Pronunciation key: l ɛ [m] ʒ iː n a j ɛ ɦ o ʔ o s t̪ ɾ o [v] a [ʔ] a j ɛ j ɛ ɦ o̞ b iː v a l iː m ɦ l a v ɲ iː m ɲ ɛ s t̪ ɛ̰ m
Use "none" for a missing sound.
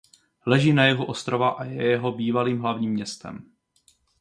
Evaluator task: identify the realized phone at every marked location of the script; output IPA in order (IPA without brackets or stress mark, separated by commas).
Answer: none, v, ʔ